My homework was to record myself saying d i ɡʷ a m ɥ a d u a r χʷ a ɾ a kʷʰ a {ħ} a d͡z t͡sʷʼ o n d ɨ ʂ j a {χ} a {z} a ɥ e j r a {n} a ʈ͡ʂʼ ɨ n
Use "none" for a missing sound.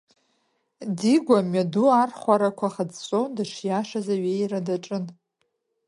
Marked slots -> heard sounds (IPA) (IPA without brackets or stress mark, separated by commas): χ, ʂ, z, d